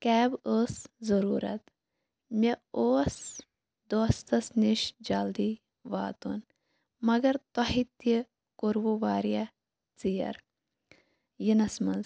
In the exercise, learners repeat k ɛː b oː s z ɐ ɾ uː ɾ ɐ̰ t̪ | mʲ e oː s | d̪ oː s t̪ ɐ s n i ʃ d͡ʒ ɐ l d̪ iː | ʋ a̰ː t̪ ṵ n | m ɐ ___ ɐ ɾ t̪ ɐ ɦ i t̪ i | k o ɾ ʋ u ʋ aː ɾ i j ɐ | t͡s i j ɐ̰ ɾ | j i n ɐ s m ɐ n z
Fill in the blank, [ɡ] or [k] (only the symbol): ɡ